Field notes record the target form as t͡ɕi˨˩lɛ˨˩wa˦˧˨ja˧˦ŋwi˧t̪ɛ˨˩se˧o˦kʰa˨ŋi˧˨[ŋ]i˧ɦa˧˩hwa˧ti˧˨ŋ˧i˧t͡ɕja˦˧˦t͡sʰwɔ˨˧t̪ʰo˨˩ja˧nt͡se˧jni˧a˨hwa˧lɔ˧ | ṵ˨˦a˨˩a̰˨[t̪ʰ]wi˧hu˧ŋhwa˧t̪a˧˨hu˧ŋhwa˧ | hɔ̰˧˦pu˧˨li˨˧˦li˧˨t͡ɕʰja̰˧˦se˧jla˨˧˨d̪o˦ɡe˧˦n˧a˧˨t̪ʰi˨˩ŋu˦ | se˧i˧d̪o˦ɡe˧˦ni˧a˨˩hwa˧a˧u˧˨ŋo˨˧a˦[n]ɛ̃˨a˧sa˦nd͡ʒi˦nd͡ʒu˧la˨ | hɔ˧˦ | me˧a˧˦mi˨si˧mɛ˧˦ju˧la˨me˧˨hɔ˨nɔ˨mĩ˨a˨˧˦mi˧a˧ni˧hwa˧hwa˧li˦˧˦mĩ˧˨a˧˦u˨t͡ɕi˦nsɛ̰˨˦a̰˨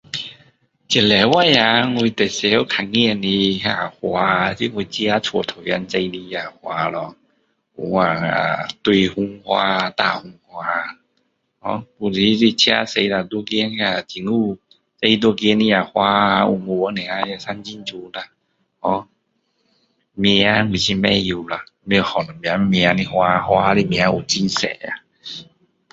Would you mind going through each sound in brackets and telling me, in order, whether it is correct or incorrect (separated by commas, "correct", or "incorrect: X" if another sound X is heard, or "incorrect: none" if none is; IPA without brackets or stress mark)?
incorrect: n, incorrect: t̪, correct